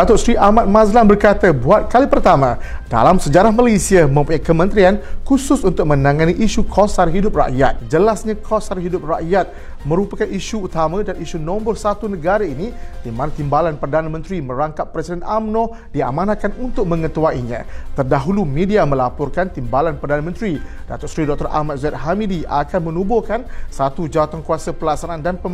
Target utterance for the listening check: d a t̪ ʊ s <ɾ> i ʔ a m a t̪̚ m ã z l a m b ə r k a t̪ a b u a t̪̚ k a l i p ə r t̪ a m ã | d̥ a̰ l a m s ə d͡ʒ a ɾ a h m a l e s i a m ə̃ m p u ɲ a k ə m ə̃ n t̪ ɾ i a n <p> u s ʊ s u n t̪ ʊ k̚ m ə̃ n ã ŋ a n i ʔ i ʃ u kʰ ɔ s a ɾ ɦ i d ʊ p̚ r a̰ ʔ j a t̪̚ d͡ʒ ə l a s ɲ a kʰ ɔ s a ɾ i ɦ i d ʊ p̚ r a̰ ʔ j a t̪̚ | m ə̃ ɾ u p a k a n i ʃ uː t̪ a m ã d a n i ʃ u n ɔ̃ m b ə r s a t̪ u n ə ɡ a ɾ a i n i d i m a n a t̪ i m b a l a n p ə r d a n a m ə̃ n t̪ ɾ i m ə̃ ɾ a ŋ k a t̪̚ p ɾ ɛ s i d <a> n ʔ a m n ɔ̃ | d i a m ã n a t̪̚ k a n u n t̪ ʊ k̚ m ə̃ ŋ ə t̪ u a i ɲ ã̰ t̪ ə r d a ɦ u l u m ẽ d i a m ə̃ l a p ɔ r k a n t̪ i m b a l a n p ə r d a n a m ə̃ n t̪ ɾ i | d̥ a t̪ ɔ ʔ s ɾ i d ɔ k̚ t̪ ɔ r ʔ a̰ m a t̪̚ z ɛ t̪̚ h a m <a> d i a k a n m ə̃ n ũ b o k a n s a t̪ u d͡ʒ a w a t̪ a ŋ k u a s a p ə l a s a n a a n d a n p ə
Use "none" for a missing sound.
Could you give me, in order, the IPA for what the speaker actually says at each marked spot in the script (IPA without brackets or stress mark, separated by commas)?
ɾ, k, ɛ, i